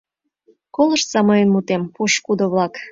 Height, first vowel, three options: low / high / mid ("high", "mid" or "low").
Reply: mid